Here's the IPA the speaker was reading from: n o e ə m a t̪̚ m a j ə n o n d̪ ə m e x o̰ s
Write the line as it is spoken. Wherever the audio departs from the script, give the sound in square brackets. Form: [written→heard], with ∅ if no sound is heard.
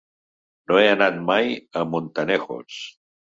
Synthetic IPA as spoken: n o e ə [m→n] a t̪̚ m a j ə [n→m] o n [d̪→t̪] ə [m→n] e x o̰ s